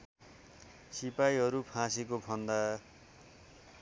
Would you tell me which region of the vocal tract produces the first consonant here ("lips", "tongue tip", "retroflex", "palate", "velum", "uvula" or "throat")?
tongue tip